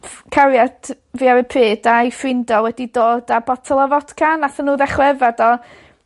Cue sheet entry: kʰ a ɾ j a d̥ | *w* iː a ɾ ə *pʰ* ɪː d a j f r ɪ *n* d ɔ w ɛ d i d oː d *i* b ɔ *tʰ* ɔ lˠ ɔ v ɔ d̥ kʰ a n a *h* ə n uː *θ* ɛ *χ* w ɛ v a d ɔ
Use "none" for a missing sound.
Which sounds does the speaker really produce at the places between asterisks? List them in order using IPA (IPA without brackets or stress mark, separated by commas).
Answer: v, pʰ, n, a, tʰ, θ, ð, χ